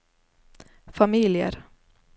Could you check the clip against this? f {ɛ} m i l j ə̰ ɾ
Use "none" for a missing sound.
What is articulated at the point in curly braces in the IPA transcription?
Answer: a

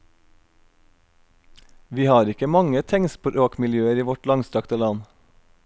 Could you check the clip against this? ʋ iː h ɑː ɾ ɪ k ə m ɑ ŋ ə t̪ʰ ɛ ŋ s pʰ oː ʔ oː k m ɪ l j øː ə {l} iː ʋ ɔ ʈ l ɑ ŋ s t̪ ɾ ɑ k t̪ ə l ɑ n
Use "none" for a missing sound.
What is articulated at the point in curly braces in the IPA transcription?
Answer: ɾ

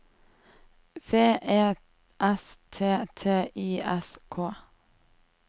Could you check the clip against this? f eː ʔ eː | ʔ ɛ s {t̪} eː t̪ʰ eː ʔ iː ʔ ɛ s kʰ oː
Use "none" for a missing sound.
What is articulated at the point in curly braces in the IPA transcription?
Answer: t̪ʰ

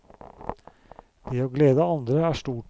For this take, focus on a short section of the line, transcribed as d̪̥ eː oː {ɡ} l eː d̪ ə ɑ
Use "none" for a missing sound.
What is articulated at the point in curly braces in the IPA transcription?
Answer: ɡ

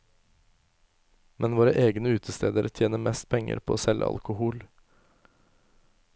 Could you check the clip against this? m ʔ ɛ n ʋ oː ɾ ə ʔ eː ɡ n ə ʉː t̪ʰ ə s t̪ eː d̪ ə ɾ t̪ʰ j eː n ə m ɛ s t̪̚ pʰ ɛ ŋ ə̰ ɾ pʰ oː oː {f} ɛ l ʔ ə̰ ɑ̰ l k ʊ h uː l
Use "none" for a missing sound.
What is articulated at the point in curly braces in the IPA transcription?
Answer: s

